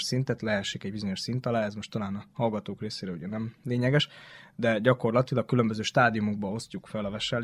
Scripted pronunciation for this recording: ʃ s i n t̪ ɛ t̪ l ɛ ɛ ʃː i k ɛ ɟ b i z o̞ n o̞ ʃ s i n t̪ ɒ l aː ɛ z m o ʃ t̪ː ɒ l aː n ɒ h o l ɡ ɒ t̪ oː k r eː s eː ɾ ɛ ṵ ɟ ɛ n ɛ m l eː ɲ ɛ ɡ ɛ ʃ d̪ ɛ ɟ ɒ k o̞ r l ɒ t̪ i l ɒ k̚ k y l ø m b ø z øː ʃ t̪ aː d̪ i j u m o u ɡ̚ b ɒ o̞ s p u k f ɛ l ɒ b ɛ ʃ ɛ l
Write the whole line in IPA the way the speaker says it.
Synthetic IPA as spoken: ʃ s i n t̪ ɛ t̪ l ɛ ɛ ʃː i k ɛ ɟ b i z o̞ ɲ o̞ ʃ s i n t̪ ɒ l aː ɛ z m o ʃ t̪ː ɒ l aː n ɒ h ɒ l ɡ ɒ t̪ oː k r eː s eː ɾ ɛ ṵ ɟ ɛ n ɛ m l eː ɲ ɛ ɡ ɛ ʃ d̪ ɛ ɟ ɒ k o̞ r l ɒ t̪ i l ɒ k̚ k y l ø m b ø z øː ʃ t̪ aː d̪ i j u m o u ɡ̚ b ɒ o̞ s c u k f ɛ l ɒ v ɛ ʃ ɛ l